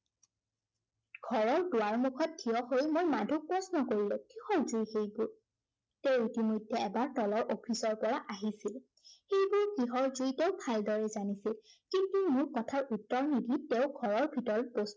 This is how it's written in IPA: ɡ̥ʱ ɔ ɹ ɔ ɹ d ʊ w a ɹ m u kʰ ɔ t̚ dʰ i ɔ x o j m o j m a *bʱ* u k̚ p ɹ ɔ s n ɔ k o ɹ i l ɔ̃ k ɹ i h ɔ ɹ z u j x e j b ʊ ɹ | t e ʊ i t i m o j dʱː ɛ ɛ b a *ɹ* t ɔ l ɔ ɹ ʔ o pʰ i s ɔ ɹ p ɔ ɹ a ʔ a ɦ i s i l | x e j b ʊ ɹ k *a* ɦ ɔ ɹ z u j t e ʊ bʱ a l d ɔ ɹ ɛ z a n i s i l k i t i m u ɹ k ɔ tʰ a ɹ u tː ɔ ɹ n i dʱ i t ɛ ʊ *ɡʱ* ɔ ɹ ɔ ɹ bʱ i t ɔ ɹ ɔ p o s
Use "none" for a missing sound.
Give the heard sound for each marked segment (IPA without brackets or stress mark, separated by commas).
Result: dʱ, ɹ, i, ɡʱ